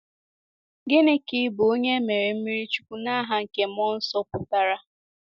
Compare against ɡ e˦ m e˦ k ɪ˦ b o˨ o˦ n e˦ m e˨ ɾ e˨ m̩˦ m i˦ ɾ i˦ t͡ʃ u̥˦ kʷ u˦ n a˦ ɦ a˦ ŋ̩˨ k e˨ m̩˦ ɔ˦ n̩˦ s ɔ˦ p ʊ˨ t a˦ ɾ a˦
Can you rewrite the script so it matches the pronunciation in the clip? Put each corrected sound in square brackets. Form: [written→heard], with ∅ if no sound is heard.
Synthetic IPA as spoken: ɡ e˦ [m→n] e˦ k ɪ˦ b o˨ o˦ [n→ɲ] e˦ m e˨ ɾ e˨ m̩˦ m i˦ ɾ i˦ t͡ʃ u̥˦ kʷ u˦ n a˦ ɦ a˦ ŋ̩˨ k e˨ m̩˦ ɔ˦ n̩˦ s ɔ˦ p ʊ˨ t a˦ ɾ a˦